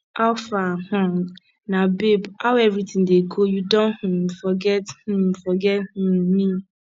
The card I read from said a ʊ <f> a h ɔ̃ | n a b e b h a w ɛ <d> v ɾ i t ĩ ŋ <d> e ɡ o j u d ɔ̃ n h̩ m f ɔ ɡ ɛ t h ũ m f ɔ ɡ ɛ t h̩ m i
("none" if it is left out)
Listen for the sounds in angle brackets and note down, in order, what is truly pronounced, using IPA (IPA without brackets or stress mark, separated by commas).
f, none, d